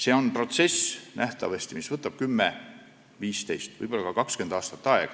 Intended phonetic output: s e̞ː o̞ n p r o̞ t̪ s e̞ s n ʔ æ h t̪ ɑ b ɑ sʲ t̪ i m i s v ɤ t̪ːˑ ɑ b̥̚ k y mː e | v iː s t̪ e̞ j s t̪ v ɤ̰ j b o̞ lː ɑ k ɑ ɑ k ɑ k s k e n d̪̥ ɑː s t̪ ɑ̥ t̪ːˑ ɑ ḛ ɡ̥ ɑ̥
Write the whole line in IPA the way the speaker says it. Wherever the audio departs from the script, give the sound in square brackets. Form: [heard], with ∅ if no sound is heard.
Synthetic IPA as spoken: s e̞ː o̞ n p r o̞ t̪ s e̞ s n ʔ æ h t̪ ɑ [v] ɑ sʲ t̪ i m i s v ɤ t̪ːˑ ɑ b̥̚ k y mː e | v iː s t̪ e̞ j s t̪ v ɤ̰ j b o̞ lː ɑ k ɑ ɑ k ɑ k s k e n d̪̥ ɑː s t̪ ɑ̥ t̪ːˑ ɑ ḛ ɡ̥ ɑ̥